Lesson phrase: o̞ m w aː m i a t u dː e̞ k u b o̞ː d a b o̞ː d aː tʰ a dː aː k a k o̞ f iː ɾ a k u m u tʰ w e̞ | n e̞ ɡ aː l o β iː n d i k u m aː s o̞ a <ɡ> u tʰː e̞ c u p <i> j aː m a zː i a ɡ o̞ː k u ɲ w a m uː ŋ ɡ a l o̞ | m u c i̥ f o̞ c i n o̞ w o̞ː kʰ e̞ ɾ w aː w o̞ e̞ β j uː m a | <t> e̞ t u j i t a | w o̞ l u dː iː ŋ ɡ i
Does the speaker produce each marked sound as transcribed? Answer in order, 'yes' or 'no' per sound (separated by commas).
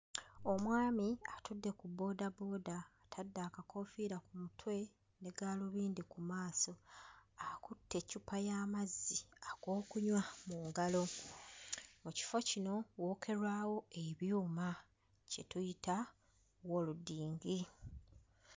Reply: no, no, no